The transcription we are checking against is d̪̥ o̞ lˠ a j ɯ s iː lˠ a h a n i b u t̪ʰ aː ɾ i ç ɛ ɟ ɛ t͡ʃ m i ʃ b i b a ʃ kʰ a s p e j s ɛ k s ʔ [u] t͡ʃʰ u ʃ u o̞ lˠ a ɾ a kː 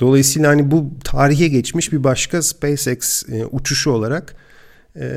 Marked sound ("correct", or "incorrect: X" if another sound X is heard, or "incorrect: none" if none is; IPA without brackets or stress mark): correct